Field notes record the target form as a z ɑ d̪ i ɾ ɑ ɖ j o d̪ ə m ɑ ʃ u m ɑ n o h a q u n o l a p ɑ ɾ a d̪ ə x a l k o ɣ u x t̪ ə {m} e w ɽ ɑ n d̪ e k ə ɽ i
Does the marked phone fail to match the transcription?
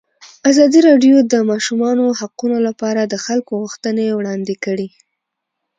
yes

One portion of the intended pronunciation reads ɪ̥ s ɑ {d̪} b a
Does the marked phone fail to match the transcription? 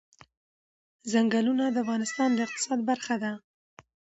no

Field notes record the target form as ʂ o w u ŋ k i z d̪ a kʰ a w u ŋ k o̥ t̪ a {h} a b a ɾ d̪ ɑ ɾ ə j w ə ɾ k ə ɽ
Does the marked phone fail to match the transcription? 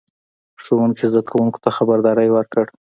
yes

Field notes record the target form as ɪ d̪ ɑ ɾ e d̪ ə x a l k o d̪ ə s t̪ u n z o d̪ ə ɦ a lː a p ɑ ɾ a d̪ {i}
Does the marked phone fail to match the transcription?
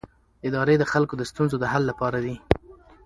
no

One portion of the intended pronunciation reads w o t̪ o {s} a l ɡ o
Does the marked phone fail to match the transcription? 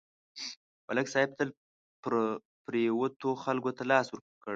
yes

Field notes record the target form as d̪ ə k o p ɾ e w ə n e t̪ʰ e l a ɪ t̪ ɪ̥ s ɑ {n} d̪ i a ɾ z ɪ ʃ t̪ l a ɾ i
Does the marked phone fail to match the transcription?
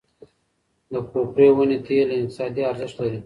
yes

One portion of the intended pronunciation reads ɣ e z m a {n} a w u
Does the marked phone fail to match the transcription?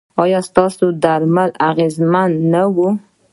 yes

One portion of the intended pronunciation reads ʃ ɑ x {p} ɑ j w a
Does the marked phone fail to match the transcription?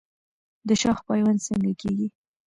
no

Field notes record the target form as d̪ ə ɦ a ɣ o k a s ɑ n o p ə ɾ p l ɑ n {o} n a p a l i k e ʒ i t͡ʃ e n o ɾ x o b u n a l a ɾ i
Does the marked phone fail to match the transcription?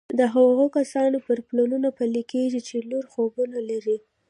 yes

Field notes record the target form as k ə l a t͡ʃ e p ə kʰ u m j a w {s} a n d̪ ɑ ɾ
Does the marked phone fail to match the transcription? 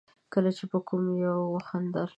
yes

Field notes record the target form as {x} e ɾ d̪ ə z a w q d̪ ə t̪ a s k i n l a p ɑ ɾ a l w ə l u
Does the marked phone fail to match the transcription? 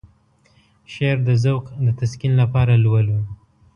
yes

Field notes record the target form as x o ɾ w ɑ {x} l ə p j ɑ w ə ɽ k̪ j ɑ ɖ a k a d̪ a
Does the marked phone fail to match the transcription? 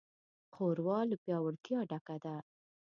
yes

